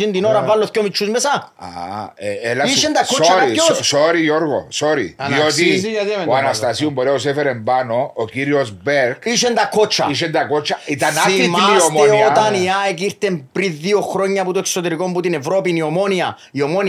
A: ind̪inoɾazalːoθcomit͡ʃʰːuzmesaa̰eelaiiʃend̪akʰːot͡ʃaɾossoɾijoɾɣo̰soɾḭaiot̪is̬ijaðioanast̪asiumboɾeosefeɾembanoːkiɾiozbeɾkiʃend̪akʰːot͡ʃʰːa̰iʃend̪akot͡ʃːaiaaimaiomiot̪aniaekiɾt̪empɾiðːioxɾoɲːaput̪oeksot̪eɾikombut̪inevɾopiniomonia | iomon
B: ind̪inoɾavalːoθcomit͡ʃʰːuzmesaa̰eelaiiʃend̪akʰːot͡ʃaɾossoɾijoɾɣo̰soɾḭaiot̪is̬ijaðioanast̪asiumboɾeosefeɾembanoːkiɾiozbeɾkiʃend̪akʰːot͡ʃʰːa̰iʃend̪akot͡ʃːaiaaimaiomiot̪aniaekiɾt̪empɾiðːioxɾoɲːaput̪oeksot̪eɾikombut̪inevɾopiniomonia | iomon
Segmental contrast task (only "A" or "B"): B